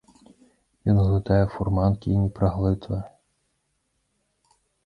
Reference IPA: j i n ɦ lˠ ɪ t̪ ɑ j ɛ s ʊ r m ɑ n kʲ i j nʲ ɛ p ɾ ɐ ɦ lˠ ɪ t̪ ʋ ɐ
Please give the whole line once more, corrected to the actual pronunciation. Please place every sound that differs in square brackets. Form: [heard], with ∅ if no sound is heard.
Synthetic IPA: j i n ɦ lˠ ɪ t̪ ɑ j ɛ [f] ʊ r m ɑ n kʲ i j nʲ [i] p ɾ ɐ ɦ lˠ ɪ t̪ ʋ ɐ